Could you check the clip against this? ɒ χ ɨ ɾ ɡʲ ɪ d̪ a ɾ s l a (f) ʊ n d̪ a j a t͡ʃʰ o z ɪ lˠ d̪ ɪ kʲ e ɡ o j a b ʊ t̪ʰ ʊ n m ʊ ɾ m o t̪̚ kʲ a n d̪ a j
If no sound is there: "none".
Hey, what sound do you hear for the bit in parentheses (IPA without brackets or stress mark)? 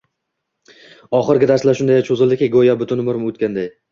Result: ʃ